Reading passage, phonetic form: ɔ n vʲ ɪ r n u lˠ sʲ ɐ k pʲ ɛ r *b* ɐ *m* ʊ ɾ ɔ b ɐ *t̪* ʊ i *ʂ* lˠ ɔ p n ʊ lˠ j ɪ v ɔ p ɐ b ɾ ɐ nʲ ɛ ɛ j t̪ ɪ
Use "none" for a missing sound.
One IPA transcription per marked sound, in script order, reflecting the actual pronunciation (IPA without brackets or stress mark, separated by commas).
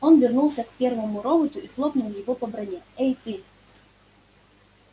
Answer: v, m, t̪, x